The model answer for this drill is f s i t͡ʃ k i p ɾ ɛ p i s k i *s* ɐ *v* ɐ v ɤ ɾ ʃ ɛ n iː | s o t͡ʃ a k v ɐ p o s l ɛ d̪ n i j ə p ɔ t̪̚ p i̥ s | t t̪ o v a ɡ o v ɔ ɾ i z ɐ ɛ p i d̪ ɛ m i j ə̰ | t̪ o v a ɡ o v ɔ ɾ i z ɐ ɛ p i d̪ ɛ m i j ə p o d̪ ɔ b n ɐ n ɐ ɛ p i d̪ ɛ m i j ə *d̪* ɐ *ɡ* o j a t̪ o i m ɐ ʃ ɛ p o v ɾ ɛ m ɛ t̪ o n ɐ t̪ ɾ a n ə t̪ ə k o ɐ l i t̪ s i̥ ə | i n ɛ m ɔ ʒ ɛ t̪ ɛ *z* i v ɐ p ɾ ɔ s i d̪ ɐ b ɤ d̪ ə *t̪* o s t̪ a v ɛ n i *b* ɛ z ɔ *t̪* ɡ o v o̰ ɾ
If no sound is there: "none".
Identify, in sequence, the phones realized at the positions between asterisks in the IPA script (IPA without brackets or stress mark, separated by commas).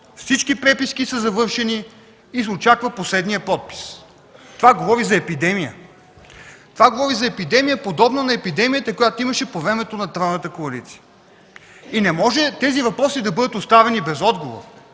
s, z, t̪, k, z, t̪, b, d̪